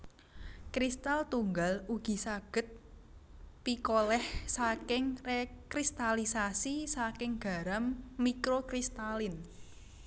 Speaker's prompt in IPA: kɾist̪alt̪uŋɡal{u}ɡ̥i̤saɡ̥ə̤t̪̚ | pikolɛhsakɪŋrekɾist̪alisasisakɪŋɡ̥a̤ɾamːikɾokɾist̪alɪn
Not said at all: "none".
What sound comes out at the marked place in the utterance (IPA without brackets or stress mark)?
u